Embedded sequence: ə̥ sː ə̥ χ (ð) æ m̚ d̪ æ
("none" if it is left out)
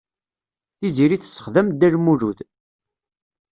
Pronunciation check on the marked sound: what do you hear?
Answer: ð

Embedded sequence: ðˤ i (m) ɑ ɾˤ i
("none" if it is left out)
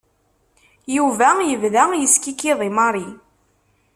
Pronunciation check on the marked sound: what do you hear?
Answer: m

